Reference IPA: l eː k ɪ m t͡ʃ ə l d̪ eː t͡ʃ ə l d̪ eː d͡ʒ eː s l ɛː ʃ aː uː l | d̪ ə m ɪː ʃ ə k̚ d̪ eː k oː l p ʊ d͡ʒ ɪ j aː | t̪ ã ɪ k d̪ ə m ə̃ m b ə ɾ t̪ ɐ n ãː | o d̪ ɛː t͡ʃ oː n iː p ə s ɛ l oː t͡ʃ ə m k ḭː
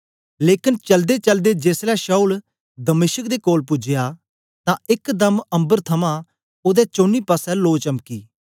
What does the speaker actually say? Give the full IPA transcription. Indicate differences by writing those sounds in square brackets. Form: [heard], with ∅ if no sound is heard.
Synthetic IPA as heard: l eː k ɪ [n] t͡ʃ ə l d̪ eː t͡ʃ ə l d̪ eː d͡ʒ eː s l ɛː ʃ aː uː l | d̪ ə m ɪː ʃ ə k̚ d̪ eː k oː l p ʊ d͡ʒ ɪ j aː | t̪ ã ɪ k d̪ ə m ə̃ m b ə ɾ [t̪ʰ] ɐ [m] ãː | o d̪ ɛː t͡ʃ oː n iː p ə s ɛ l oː t͡ʃ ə m k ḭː